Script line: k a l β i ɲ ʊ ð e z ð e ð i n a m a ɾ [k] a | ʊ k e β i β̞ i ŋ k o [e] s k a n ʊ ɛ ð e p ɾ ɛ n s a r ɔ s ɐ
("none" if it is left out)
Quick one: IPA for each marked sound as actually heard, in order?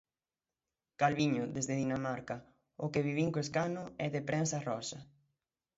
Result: k, e

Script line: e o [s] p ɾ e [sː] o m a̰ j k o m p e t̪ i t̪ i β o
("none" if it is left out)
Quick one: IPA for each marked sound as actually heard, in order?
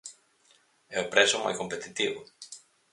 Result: none, s

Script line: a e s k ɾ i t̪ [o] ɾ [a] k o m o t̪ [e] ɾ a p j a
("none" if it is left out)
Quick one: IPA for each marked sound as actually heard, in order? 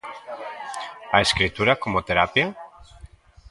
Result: u, a, e

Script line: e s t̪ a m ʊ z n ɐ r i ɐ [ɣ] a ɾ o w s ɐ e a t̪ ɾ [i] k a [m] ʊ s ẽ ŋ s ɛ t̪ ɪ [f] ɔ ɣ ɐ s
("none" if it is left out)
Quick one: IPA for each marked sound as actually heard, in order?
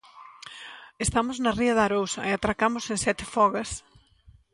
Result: ð, a, m, f

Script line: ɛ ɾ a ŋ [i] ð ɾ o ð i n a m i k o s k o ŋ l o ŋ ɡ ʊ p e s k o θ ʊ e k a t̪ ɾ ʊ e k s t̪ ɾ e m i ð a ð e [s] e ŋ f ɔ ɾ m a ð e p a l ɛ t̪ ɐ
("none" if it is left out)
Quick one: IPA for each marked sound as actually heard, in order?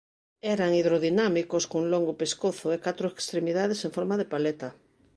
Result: i, s

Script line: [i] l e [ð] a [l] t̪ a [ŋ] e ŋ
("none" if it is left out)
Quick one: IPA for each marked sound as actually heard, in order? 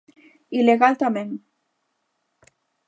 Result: i, ɣ, l, m

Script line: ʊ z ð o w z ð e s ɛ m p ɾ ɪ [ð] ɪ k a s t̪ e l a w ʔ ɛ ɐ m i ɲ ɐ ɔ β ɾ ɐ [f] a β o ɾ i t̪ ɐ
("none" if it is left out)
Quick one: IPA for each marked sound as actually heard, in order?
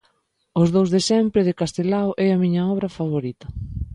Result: ð, f

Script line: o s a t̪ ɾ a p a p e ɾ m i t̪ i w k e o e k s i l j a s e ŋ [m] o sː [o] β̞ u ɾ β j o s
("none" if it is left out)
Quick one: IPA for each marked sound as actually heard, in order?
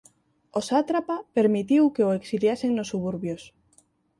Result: n, u

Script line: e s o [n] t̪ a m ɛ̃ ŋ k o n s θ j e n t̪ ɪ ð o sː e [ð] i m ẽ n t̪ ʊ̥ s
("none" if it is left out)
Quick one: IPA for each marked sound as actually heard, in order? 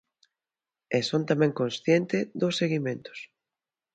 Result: n, ɣ

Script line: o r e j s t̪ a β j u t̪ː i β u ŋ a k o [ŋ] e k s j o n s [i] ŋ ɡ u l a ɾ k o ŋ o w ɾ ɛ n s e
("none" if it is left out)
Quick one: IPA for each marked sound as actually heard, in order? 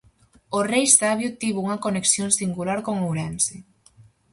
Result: n, i

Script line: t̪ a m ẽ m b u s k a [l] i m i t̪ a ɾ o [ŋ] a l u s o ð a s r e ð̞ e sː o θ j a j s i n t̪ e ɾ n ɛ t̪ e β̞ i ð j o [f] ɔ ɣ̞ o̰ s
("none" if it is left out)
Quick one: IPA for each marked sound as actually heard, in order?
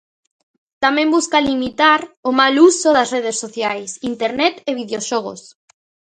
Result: l, m, ʃ

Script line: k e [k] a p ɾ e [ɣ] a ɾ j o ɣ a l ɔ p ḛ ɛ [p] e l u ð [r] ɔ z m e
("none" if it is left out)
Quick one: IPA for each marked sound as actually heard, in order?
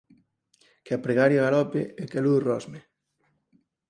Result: none, ɣ, k, r

